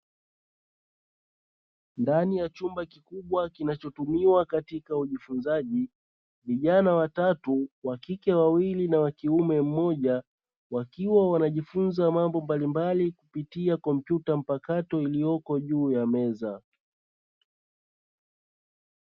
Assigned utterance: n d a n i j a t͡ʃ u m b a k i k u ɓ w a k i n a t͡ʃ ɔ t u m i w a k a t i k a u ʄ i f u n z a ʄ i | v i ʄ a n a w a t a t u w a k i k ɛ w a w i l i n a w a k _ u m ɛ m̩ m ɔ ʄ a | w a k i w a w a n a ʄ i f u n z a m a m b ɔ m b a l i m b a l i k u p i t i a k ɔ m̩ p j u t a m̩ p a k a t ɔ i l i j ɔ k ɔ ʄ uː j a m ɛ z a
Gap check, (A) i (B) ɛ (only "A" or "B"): A